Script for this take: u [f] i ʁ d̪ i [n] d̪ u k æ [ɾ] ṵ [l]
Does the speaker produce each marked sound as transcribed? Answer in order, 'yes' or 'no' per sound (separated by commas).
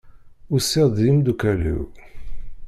no, no, no, no